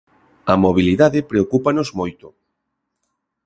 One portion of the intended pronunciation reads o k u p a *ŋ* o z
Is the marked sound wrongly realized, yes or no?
yes